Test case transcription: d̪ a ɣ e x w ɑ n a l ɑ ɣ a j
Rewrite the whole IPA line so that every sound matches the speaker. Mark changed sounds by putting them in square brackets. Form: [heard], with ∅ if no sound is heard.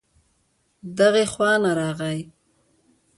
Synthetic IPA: d̪ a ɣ e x w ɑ n a [ɾ] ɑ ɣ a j